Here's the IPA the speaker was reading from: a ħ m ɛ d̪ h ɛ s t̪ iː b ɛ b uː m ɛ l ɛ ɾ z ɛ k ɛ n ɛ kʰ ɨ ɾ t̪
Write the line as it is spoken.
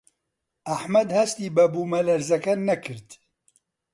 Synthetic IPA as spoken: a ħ m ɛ d̪ h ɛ s t̪ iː b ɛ b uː m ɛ l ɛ ɾ z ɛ k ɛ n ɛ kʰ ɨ ɾ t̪